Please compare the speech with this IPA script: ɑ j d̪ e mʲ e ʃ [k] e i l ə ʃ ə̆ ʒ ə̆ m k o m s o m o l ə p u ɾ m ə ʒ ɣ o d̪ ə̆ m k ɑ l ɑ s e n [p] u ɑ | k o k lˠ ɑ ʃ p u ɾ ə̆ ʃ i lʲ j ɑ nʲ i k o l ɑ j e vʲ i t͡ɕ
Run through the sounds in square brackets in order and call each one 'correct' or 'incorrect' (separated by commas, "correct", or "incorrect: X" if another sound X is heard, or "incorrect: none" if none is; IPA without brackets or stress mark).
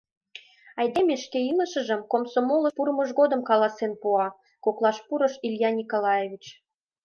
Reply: correct, correct